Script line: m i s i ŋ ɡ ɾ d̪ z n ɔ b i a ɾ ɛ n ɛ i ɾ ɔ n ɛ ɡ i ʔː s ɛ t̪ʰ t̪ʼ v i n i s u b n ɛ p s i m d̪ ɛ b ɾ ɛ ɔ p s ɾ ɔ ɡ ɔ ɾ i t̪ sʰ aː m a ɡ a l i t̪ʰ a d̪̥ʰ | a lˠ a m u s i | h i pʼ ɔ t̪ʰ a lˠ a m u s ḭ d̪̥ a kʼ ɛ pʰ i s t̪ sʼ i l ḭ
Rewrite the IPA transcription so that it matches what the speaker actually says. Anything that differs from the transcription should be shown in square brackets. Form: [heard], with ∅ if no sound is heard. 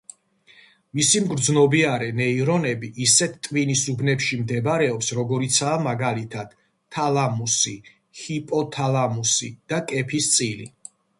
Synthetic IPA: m i s i [m] ɡ ɾ d̪ z n ɔ b i a ɾ ɛ n ɛ i ɾ ɔ n ɛ [b] i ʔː s ɛ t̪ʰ t̪ʼ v i n i s u b n ɛ p [ʃ] i m d̪ ɛ b ɾ ɛ ɔ p s ɾ ɔ ɡ ɔ ɾ i t̪ sʰ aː m a ɡ a l i t̪ʰ a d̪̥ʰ | a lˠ a m u s i | h i pʼ ɔ t̪ʰ a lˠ a m u s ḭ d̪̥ a kʼ ɛ pʰ i s t̪ sʼ i l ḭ